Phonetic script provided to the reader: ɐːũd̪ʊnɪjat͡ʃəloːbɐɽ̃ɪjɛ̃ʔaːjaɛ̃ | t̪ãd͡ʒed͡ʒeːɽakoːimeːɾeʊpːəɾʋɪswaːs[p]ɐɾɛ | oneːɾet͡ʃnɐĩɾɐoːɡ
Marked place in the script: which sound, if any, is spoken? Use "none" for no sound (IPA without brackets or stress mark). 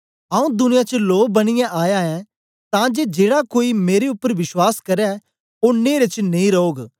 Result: k